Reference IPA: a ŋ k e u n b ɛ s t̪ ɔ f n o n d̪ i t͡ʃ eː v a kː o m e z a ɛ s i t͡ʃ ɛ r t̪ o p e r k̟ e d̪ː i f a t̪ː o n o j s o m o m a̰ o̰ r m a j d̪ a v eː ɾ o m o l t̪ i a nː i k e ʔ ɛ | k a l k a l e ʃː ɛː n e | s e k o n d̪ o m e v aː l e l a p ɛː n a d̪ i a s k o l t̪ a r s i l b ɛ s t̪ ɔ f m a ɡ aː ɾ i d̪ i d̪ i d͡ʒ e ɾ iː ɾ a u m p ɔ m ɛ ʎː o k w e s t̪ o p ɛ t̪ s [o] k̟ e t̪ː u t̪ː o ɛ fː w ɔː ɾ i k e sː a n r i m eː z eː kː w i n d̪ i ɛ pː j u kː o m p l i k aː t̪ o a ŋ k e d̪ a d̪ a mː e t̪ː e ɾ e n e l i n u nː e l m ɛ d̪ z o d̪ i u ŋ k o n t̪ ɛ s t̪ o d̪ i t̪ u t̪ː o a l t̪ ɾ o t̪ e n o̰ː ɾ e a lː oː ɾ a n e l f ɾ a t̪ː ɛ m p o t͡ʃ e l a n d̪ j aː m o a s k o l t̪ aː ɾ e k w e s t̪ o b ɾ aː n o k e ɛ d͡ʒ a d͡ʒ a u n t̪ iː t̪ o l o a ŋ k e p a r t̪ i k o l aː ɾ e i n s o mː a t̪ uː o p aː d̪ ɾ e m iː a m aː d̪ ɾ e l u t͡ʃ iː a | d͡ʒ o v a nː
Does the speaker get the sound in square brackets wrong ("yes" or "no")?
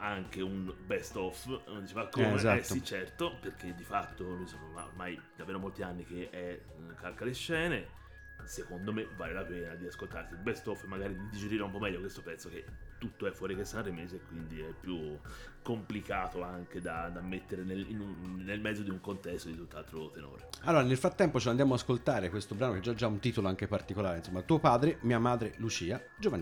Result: no